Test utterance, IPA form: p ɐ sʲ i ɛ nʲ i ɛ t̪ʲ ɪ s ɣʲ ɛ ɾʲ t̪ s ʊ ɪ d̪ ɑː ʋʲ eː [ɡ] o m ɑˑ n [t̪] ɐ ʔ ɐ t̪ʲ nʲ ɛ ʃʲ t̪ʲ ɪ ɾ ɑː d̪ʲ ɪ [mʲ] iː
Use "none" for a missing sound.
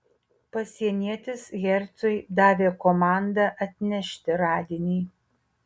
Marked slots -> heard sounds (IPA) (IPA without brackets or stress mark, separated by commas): k, d̪, nʲ